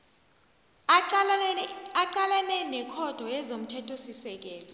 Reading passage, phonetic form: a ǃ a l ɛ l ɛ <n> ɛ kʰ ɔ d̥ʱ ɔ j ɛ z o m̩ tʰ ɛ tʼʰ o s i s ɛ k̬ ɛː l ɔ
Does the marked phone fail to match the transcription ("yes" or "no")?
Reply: no